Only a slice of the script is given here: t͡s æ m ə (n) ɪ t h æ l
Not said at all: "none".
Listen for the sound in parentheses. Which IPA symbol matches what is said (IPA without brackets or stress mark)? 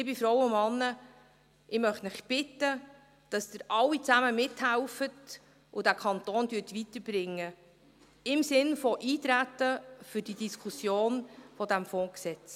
m